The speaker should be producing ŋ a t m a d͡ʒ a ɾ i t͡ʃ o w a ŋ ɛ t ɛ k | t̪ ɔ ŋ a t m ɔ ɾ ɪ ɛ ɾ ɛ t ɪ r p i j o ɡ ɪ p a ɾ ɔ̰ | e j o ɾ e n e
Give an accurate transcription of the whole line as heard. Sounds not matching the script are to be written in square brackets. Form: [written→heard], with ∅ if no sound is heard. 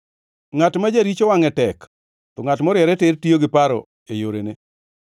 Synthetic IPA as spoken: ŋ a t m a d͡ʒ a ɾ i t͡ʃ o w a ŋ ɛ t ɛ k | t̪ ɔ ŋ a t m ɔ ɾ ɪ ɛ ɾ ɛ t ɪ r [p→t] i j o ɡ ɪ p a ɾ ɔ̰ | e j o ɾ e n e